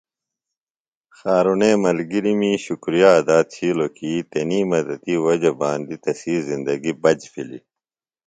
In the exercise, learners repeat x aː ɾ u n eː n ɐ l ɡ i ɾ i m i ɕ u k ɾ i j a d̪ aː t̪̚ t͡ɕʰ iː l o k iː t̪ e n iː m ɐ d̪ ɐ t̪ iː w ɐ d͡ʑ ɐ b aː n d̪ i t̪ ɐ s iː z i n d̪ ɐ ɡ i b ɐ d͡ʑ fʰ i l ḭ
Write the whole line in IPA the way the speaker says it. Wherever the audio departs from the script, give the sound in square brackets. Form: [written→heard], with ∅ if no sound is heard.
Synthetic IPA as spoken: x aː ɾ u n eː [n→m] ɐ l ɡ i ɾ i m i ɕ u k ɾ i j a d̪ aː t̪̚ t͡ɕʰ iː l o k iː t̪ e n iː m ɐ d̪ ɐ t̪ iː w ɐ d͡ʑ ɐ b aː n d̪ i t̪ ɐ s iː z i n d̪ ɐ ɡ i b ɐ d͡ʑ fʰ i l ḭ